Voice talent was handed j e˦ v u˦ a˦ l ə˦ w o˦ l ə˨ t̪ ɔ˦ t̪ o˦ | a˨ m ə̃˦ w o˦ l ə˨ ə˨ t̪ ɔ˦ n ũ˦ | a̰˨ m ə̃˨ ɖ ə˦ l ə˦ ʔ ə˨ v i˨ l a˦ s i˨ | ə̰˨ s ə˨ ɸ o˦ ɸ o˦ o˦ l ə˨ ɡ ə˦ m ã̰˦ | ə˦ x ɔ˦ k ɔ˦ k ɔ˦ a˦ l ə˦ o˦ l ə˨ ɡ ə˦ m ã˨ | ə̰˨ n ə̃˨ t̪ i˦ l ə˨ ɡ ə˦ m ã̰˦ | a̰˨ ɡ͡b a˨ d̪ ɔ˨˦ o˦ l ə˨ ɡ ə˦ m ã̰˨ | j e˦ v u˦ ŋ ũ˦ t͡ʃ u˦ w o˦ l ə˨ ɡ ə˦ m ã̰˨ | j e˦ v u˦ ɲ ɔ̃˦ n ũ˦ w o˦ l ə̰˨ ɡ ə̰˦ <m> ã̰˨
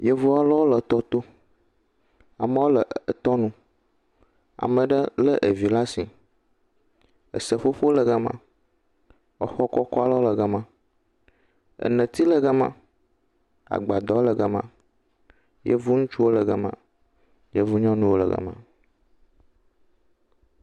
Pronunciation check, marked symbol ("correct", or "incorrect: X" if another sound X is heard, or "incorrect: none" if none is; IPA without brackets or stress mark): correct